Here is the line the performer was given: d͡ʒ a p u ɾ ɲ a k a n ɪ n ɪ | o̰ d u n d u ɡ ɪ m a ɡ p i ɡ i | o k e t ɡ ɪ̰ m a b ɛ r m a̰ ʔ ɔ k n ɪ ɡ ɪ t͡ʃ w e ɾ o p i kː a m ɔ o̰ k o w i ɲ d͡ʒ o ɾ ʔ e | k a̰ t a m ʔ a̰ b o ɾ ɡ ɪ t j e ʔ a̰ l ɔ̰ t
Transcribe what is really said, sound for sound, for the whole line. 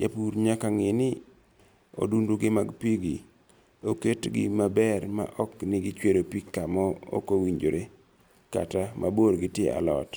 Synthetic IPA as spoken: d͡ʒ a p u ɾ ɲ a k a ŋ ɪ n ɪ | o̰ d u n d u ɡ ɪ m a ɡ p i ɡ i | o k e t ɡ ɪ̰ m a b ɛ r m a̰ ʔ ɔ k n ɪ ɡ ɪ t͡ʃ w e ɾ o p i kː a m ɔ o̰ k o w i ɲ d͡ʒ o ɾ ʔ e | k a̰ t a m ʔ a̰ b o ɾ ɡ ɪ t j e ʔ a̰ l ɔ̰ t